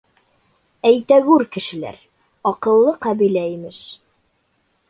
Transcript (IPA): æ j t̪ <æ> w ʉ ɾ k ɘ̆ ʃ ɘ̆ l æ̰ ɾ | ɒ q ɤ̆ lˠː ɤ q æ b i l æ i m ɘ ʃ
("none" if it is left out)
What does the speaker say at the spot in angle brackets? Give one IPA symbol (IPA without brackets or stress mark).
æ